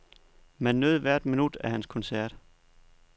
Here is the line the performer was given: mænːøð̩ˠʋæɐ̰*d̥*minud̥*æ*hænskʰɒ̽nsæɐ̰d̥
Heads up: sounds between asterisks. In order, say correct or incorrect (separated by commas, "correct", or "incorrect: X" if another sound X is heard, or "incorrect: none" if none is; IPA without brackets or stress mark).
correct, correct